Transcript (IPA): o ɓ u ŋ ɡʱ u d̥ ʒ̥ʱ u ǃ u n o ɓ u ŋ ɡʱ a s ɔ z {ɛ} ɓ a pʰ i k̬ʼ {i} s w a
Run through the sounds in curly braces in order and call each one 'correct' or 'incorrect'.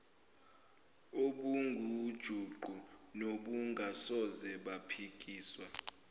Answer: correct, incorrect

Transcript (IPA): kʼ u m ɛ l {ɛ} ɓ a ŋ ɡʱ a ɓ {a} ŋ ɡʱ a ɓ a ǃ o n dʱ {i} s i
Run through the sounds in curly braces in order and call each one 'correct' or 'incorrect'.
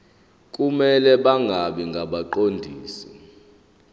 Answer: correct, incorrect, incorrect

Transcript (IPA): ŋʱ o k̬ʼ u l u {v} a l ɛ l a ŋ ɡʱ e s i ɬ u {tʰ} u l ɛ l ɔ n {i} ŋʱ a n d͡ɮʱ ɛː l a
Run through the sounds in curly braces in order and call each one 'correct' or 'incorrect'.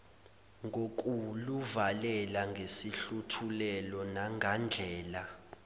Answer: correct, correct, incorrect

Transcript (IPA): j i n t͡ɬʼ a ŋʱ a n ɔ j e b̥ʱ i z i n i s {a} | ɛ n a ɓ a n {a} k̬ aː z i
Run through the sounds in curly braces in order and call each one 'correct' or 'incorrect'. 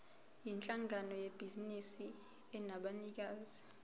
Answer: incorrect, incorrect

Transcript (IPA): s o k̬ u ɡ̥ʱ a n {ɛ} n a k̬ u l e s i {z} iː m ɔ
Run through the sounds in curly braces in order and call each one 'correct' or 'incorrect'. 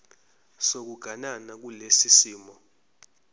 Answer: incorrect, incorrect

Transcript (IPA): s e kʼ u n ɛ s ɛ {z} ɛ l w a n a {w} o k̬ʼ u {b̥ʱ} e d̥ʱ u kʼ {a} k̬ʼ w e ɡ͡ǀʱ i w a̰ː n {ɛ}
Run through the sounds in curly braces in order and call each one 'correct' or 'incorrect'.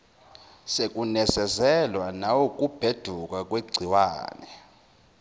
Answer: correct, correct, correct, correct, correct

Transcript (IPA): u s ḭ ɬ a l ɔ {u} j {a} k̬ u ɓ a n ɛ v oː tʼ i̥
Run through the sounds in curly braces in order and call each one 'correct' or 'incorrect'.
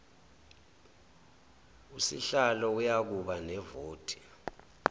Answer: correct, correct

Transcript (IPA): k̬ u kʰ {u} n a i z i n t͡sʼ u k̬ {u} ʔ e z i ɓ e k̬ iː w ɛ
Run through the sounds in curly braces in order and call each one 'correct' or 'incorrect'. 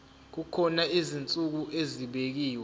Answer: incorrect, correct

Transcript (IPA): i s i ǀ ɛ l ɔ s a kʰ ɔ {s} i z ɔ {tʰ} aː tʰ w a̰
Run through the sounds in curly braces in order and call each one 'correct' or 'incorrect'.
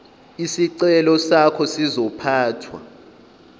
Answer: correct, incorrect

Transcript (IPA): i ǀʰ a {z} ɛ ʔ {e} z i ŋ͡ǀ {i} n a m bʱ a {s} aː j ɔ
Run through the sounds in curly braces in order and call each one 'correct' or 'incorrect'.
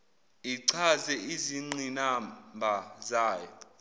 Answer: correct, incorrect, correct, incorrect

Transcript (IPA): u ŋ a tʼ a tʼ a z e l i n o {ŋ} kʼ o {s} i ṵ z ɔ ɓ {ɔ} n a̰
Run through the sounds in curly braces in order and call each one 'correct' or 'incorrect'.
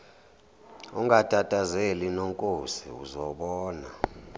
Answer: correct, correct, incorrect

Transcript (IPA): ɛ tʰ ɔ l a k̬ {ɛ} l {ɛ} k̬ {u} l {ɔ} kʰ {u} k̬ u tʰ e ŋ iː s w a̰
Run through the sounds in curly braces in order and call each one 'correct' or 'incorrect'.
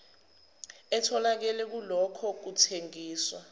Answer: correct, correct, correct, correct, incorrect

